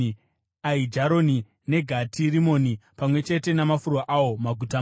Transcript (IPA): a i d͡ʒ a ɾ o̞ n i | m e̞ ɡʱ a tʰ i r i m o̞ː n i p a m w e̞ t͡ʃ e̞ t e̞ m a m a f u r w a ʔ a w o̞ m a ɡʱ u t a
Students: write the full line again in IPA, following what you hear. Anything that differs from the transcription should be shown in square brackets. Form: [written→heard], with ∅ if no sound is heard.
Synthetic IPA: a i d͡ʒ a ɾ o̞ n i | [m→n] e̞ ɡʱ a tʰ i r i m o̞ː n i p a m w e̞ t͡ʃ e̞ t e̞ [m→n] a m a f u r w a ʔ a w o̞ m a ɡʱ u t a